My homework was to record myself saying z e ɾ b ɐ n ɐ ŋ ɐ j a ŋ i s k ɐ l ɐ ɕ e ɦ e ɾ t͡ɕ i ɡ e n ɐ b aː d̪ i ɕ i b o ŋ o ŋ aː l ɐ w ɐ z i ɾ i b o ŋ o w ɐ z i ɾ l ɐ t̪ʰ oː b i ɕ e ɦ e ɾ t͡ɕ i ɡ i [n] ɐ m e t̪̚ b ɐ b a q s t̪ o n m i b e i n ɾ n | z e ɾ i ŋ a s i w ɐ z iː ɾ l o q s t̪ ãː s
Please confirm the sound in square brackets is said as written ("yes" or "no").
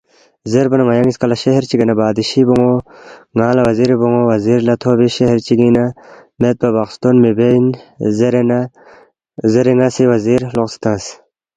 yes